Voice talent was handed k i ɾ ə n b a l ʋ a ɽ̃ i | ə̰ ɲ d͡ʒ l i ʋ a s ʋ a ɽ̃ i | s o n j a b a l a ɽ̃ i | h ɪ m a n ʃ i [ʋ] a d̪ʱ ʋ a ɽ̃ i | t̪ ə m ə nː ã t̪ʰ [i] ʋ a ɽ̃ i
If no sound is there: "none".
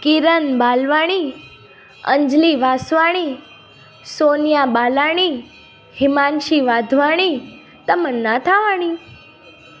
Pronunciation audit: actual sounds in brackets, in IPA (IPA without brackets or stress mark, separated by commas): ʋ, a